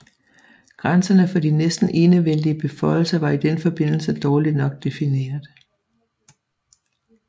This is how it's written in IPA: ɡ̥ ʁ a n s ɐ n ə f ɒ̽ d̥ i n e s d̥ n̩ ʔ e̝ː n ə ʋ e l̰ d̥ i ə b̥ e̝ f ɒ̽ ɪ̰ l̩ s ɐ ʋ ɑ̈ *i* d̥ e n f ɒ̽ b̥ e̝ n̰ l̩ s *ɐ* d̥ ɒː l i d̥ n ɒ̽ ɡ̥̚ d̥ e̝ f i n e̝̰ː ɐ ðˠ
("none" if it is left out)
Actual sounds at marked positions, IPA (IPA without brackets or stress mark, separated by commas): i, ə